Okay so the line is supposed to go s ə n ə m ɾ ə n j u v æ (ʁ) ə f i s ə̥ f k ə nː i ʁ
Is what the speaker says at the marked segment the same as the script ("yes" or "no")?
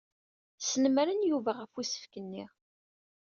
yes